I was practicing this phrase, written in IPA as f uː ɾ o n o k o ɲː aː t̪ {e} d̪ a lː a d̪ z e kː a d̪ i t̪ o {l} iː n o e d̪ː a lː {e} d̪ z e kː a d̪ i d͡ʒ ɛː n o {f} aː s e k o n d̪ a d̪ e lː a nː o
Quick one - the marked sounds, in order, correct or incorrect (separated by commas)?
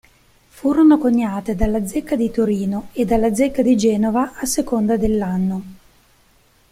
correct, incorrect, incorrect, incorrect